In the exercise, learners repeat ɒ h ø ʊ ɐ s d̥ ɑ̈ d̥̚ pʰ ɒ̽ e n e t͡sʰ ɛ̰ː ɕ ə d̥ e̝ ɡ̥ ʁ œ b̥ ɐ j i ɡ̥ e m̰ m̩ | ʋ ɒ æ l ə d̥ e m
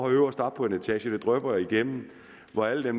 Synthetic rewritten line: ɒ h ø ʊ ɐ s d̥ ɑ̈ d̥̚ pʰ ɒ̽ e n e t͡sʰ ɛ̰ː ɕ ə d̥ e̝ d̥ ʁ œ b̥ ɐ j i ɡ̥ e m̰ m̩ | ʋ ɒ æ l ə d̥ e m